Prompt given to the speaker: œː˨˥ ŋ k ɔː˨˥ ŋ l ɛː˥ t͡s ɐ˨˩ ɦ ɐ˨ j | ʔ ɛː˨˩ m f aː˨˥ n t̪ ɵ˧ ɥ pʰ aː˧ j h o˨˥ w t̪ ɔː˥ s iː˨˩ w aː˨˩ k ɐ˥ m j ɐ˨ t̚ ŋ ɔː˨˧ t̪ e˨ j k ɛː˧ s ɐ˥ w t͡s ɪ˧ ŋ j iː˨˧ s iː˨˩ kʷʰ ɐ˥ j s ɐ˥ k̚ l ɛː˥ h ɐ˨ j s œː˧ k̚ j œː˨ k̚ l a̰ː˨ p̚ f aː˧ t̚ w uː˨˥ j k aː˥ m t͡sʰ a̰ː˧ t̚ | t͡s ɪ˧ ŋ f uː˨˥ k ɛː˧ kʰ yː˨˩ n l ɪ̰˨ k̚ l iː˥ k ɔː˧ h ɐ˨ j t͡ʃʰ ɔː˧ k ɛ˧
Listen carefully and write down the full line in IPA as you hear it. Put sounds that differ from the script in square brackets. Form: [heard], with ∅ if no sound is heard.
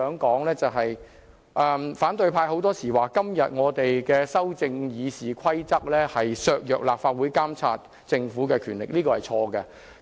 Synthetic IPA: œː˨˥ ŋ k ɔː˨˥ ŋ l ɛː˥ t͡s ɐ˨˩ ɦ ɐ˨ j | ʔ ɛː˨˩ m f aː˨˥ n t̪ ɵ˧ ɥ pʰ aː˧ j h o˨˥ w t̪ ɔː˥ s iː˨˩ w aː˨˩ k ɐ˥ m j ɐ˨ t̚ ŋ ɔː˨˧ t̪ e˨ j k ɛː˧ s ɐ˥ w t͡s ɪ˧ ŋ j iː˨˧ s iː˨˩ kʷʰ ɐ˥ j [t͡s] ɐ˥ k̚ l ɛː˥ h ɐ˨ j s œː˧ k̚ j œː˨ k̚ l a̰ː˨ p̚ f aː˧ t̚ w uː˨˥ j k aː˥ m t͡sʰ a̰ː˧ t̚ | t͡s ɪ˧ ŋ f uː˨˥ k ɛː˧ kʰ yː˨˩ n l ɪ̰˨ k̚ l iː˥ k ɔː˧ h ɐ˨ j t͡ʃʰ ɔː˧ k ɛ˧